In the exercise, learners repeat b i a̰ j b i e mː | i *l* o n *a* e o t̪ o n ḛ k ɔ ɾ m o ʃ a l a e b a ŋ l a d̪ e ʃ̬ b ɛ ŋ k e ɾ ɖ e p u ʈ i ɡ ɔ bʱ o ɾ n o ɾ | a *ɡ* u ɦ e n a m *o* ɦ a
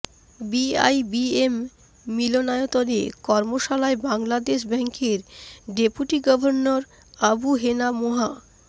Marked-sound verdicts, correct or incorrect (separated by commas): correct, correct, incorrect, correct